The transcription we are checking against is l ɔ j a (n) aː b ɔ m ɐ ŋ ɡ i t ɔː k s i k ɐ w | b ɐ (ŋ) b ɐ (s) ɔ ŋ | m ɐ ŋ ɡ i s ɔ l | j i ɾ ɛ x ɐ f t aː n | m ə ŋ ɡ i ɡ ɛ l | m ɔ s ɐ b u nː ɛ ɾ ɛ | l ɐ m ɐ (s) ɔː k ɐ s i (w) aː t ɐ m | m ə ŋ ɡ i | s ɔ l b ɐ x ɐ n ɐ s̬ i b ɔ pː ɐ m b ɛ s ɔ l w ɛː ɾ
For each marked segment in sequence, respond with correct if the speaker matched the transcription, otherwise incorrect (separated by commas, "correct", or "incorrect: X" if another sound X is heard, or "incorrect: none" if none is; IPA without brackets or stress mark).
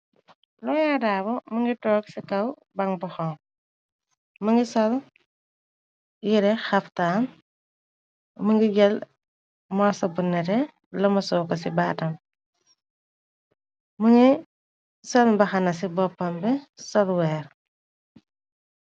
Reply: incorrect: d, correct, incorrect: x, correct, incorrect: b